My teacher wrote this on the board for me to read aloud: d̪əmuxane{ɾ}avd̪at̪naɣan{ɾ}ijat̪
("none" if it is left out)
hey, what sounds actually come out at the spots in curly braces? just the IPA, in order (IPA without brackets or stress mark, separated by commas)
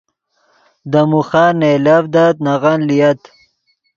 l, l